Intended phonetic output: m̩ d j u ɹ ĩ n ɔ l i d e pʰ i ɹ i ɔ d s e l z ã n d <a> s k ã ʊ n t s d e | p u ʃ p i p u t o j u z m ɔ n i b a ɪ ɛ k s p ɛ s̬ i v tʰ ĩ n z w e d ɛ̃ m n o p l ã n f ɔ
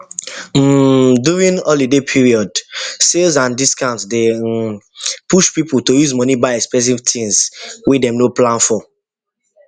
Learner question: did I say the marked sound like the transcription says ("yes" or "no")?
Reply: no